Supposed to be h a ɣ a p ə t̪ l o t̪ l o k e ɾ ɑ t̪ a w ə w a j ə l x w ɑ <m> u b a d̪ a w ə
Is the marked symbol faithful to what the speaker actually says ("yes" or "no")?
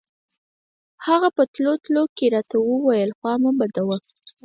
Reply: yes